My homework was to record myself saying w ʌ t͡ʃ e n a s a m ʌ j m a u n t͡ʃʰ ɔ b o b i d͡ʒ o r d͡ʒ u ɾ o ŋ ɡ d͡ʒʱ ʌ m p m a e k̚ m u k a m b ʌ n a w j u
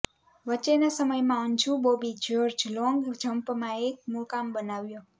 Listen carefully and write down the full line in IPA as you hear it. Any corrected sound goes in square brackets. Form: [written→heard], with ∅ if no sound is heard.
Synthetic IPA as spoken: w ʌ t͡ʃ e n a s [a→ʌ] m ʌ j m a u n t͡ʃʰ [ɔ→u] b o b i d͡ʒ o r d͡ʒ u [ɾ→l] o ŋ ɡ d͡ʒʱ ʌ m p m a e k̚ m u k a m b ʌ n a w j [u→o]